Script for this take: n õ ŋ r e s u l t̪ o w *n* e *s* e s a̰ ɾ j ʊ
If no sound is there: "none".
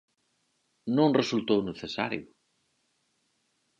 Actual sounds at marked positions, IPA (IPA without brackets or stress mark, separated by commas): n, θ